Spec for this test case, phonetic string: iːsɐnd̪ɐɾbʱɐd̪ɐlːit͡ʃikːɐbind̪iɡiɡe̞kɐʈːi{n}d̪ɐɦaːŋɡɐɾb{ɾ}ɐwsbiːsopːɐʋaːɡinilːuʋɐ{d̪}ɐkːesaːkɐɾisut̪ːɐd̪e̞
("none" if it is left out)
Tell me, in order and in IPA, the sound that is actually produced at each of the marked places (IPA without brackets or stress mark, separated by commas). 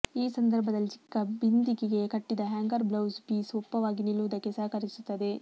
none, l, d̪